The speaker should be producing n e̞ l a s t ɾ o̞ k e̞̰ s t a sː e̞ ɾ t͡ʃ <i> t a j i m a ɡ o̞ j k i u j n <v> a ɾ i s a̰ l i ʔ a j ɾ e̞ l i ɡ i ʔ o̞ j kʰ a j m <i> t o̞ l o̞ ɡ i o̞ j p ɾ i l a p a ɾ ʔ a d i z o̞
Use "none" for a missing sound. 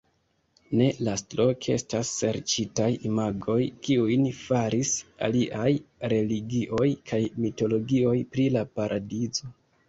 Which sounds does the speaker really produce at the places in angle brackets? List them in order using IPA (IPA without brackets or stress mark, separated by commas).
i, f, i